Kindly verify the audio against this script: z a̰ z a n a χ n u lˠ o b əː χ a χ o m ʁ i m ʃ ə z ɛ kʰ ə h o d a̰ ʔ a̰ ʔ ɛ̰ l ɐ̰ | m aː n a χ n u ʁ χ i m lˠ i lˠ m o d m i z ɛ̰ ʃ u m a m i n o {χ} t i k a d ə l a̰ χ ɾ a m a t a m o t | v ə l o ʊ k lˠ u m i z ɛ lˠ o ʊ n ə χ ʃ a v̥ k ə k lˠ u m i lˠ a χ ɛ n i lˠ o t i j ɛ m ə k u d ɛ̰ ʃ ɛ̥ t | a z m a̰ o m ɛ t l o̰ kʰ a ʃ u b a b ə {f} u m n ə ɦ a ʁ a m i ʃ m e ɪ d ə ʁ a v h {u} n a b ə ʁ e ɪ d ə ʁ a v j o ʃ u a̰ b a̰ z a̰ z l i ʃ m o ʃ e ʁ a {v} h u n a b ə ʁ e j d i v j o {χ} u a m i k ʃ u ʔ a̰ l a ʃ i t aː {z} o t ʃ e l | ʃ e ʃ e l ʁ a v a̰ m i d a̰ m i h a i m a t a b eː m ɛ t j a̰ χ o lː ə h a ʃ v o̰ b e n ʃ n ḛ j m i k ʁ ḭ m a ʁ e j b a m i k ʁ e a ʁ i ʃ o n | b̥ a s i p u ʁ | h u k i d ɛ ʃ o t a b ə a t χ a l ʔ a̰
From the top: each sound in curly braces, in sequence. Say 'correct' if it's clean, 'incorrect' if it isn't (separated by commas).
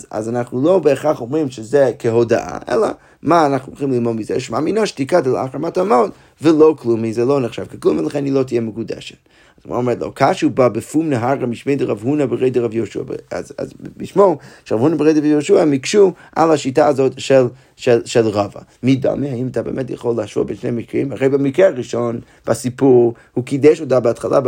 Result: incorrect, correct, correct, correct, incorrect, correct